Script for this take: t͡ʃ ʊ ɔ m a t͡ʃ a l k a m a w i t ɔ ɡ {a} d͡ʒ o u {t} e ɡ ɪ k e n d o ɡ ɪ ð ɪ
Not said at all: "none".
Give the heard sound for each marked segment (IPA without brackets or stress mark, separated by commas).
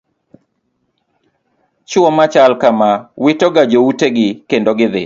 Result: a, t